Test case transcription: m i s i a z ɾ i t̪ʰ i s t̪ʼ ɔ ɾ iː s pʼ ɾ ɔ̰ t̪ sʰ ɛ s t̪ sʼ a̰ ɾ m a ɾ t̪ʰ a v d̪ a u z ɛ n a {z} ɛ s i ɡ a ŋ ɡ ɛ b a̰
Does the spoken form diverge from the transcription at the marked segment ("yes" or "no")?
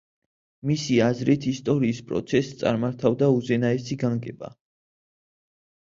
yes